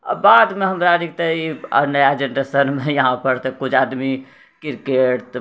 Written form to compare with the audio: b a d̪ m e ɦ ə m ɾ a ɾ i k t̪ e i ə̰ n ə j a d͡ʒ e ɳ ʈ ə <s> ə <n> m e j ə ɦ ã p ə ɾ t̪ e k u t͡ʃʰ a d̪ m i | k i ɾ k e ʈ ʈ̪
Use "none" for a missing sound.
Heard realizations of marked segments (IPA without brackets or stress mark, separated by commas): s, n